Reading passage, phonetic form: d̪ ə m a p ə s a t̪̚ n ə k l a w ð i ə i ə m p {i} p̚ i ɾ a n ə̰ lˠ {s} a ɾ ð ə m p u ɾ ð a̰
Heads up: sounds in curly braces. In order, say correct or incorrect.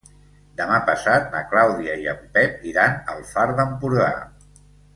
incorrect: ɛ, incorrect: f

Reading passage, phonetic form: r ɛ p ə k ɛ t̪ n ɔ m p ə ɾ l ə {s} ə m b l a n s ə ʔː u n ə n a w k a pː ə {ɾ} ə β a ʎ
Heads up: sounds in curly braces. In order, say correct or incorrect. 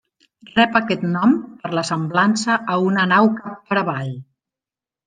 correct, correct

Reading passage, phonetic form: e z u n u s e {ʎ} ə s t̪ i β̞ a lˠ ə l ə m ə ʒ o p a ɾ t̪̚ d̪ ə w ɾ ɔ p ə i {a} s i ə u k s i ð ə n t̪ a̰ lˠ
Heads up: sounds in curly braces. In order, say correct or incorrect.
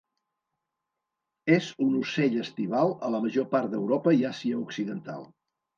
correct, correct

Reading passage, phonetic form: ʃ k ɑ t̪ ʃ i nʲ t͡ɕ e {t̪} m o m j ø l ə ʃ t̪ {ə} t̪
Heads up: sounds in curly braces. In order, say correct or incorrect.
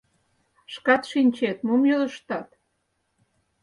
correct, incorrect: ɑ

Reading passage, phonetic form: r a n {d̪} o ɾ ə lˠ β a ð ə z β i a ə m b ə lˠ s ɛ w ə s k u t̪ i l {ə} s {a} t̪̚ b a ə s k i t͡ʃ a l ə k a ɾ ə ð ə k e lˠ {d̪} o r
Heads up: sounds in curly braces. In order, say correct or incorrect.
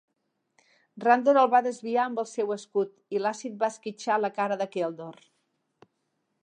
correct, incorrect: a, incorrect: i, correct

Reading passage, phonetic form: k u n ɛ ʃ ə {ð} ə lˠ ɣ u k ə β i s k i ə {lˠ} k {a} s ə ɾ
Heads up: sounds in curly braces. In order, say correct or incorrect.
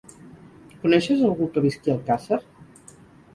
incorrect: z, correct, correct

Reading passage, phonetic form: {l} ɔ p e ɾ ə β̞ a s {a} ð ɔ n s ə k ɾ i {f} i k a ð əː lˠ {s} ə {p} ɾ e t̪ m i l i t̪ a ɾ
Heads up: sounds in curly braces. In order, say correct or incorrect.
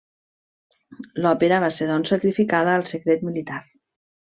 correct, incorrect: e, correct, correct, incorrect: k

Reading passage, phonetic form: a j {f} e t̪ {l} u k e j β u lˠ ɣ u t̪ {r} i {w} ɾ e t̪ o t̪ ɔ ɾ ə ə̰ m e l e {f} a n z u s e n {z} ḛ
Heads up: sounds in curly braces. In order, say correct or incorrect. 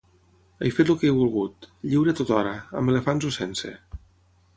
correct, correct, incorrect: ʎ, correct, correct, incorrect: s

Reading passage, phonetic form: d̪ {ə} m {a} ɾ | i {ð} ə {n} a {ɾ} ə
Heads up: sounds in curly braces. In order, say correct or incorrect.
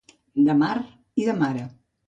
correct, correct, correct, incorrect: m, correct

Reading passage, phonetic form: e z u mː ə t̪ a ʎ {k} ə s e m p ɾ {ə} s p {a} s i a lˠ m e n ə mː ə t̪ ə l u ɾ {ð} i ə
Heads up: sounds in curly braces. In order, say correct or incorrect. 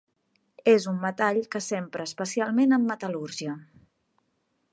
correct, incorrect: əː, incorrect: ə, incorrect: ʒ

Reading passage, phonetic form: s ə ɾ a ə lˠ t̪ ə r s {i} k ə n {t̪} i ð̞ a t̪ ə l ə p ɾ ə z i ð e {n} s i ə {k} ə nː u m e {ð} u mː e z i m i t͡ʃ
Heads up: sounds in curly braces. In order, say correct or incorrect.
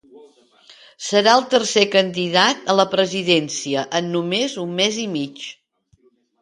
incorrect: e, incorrect: d̪, correct, incorrect: ʔ, incorrect: z

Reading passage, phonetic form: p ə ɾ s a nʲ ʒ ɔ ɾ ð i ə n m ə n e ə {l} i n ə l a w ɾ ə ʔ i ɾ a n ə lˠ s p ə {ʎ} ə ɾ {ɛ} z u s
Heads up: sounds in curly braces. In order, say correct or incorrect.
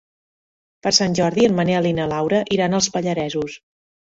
correct, correct, correct

